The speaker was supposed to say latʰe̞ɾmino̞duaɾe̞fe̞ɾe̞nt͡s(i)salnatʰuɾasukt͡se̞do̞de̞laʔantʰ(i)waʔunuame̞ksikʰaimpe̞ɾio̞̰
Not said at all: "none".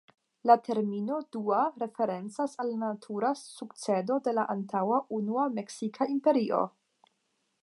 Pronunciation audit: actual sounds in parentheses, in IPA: a, a

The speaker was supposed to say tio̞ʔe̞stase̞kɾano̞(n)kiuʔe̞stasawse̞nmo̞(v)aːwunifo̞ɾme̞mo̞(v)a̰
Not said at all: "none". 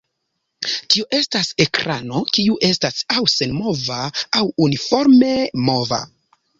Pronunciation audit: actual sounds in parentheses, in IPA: none, v, v

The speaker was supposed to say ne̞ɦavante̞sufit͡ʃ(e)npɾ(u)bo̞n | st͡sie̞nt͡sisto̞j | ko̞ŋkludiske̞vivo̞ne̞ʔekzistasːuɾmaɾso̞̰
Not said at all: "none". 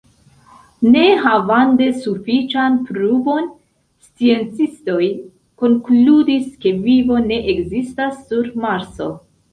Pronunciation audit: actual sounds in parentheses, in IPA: a, u

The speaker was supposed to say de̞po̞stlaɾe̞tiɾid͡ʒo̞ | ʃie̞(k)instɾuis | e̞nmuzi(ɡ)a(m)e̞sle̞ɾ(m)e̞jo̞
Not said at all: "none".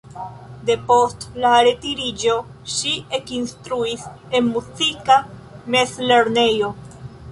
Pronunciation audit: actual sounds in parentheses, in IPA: k, k, m, n

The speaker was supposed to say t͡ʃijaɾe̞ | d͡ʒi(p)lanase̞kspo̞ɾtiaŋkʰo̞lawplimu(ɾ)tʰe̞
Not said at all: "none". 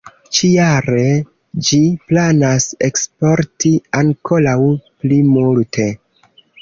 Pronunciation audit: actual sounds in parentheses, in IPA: p, l

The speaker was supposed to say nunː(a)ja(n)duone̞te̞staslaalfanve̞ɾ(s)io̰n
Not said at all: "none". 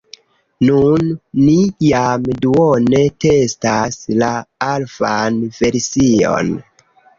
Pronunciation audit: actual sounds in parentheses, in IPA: i, m, s

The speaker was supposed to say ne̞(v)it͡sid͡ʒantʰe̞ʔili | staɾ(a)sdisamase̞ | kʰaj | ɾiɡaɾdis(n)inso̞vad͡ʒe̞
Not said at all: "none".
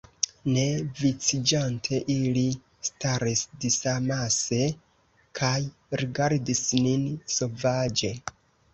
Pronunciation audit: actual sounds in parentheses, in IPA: v, i, n

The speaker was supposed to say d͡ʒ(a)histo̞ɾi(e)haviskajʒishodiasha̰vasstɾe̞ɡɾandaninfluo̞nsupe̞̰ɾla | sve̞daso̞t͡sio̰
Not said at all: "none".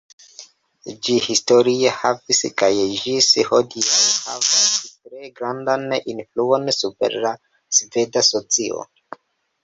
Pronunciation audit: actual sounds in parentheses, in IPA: i, e

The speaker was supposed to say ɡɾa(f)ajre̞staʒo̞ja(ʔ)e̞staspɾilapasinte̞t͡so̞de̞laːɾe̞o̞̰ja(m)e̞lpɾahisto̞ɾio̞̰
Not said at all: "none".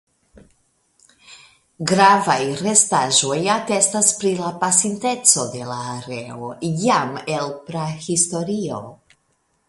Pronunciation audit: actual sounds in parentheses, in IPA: v, t, m

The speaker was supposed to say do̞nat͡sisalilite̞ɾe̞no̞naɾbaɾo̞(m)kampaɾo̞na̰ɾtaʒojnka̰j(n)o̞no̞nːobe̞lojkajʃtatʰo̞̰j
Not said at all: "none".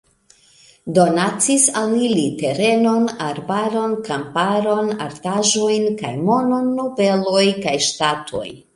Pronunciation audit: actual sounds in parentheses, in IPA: n, m

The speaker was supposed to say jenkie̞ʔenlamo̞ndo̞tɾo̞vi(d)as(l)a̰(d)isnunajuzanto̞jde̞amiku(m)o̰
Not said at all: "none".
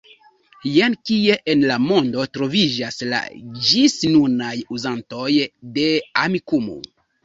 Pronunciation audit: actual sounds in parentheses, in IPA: d͡ʒ, l, d͡ʒ, m

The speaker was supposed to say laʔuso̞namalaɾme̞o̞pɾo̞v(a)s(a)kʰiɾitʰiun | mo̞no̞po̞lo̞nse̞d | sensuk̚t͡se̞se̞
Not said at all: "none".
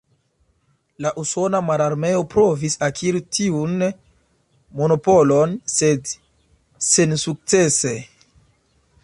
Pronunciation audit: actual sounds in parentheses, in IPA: i, a

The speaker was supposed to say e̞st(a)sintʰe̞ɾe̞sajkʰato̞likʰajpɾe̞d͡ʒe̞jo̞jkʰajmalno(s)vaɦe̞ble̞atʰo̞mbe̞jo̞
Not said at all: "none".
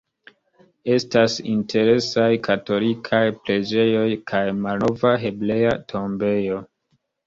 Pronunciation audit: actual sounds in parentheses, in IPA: a, none

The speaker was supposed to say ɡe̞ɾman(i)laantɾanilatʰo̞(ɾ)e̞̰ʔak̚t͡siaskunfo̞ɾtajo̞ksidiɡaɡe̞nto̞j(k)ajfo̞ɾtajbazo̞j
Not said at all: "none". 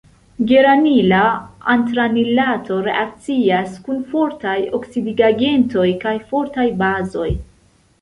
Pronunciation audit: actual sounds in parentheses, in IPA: i, ɾ, k

